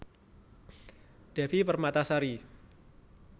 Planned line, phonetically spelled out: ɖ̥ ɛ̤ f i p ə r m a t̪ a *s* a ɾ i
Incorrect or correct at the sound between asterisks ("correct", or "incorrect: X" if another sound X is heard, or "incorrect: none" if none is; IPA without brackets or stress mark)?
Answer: correct